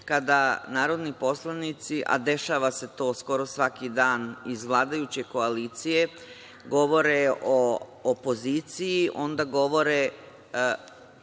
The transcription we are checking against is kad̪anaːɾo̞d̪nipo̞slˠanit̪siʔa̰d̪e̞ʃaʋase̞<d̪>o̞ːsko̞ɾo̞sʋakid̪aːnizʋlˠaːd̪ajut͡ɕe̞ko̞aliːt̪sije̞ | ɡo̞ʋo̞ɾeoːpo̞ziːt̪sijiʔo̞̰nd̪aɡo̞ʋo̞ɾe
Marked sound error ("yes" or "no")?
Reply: yes